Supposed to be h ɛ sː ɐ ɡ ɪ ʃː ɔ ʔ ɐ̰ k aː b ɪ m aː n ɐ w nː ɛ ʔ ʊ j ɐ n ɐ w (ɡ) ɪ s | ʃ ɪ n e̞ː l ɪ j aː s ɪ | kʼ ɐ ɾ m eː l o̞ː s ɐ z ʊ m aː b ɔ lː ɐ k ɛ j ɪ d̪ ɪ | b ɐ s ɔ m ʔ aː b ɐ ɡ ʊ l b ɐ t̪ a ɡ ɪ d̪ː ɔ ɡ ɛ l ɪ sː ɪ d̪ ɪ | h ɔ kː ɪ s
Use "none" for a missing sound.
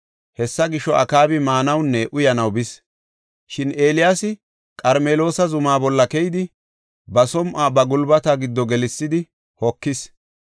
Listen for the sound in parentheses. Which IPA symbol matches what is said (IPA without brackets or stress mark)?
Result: b